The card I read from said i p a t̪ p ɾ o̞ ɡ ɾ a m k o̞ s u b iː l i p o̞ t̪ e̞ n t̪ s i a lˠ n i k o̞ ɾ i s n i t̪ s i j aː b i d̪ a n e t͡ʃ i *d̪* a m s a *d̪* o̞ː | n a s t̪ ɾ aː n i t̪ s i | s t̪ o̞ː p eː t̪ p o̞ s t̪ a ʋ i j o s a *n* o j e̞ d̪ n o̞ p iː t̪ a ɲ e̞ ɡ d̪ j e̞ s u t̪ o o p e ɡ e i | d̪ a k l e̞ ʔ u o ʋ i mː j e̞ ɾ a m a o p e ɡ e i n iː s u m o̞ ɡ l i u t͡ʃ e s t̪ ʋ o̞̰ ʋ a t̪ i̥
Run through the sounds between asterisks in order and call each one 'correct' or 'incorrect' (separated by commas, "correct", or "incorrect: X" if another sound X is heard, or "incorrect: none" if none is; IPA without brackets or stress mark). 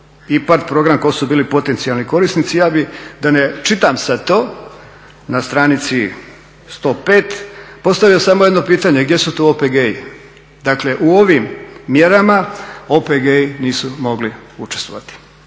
incorrect: t̪, incorrect: t̪, incorrect: m